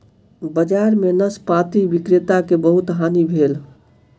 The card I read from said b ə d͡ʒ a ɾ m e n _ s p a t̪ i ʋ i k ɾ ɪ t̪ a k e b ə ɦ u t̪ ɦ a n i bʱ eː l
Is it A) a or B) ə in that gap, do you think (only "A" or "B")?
B